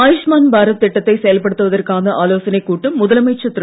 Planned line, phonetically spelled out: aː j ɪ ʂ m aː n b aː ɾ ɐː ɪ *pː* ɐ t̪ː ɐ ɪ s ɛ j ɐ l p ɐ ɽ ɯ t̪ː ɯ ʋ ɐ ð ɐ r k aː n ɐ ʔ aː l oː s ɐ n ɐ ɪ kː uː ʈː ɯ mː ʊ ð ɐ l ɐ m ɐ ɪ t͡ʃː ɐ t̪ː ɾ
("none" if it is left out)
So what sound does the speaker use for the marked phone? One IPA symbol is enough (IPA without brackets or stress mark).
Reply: ʈː